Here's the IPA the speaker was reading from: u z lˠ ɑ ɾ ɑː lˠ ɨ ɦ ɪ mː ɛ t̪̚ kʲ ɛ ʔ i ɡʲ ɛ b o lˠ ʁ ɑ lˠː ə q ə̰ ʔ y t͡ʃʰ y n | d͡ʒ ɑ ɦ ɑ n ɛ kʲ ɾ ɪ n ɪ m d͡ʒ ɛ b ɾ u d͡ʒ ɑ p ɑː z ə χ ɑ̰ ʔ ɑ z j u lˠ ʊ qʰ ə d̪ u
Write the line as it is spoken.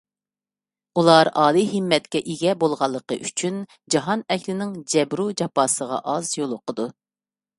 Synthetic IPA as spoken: u lˠ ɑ ɾ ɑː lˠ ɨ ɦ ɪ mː ɛ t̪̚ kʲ ɛ ʔ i ɡʲ ɛ b o lˠ ʁ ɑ lˠː ə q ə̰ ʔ y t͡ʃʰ y n | d͡ʒ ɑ ɦ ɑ n ɛ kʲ l ɪ n ɪ ŋ d͡ʒ ɛ b ɾ u d͡ʒ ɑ p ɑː s ə ʁ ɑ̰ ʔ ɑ z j o lˠ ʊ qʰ ə d̪ u